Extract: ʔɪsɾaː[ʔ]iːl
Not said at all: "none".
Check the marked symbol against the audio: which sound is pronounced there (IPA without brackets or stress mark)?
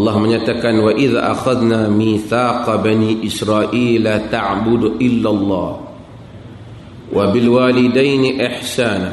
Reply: ʔ